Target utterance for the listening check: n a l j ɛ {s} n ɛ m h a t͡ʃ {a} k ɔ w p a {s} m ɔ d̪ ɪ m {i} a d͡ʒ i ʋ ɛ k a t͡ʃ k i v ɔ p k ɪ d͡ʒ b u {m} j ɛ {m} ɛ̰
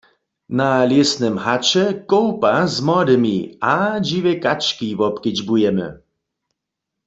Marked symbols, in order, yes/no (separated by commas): yes, no, no, yes, no, yes